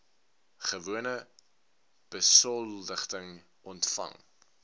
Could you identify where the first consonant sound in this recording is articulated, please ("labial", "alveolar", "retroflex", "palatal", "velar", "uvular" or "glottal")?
uvular